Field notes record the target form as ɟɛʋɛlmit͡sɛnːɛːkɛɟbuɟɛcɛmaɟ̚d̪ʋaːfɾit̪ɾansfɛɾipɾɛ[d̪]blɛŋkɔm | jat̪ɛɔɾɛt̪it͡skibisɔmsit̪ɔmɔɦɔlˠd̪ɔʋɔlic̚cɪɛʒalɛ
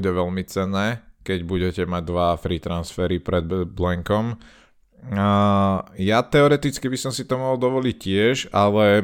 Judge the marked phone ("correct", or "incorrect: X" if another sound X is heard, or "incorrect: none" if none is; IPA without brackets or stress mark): correct